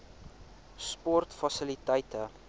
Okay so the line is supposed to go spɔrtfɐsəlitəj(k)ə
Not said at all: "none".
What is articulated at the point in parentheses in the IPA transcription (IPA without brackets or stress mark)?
t